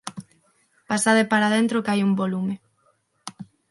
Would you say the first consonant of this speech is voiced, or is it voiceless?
voiceless